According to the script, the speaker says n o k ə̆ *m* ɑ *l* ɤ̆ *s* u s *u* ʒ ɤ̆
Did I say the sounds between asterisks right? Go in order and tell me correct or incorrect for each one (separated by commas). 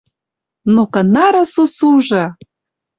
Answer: incorrect, incorrect, correct, correct